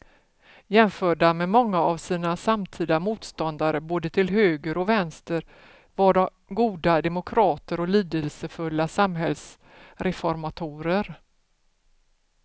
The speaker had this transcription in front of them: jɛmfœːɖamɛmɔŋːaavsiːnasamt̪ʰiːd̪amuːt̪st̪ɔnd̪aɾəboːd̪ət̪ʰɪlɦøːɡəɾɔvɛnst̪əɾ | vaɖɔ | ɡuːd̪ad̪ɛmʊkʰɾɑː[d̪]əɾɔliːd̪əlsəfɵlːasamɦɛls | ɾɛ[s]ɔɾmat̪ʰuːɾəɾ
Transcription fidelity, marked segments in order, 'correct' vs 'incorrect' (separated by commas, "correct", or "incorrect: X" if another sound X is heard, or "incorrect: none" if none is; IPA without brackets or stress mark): incorrect: t̪, incorrect: f